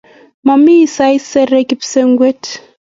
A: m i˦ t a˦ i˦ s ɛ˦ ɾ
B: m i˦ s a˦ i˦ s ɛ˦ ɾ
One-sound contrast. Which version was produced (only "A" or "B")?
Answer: B